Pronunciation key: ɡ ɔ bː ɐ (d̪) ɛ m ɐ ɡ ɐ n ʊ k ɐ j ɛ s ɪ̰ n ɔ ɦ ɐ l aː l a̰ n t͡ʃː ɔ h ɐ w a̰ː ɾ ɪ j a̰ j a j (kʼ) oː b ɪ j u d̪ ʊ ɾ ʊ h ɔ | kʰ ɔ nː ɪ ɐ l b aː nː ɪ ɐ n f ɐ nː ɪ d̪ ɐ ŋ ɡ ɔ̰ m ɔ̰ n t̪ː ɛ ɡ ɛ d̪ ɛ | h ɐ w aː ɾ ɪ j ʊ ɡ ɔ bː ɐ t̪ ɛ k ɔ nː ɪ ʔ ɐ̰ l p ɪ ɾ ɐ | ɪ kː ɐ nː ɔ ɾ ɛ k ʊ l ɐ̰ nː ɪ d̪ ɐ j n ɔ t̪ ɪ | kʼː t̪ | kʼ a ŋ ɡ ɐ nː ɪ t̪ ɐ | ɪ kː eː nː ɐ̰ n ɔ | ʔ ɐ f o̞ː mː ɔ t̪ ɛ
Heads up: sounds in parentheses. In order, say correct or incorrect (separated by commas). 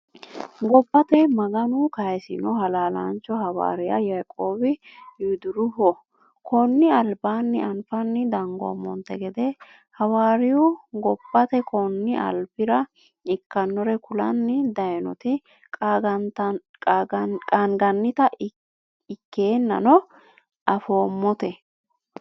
incorrect, correct